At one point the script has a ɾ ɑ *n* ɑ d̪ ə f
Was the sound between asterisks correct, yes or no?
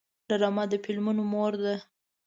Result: no